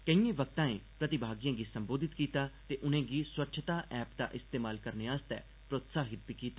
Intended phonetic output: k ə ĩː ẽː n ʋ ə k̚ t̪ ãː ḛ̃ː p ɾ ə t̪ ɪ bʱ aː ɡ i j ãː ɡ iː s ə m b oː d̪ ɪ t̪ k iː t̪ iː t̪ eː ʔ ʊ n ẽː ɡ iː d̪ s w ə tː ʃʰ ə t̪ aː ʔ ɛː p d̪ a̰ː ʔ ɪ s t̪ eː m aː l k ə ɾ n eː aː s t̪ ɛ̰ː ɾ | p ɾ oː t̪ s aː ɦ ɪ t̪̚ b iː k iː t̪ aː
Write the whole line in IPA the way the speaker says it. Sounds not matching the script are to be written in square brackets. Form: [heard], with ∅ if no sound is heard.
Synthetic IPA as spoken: k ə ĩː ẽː [∅] ʋ ə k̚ t̪ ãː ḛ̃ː p ɾ ə t̪ ɪ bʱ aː ɡ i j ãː ɡ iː s ə m b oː d̪ ɪ t̪ k iː t̪ [aː] t̪ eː ʔ ʊ n ẽː ɡ iː [∅] s w ə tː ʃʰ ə t̪ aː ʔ ɛː p d̪ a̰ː ʔ ɪ s t̪ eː m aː l k ə ɾ n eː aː s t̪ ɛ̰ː [∅] | p ɾ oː t̪ s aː ɦ ɪ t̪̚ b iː k iː t̪ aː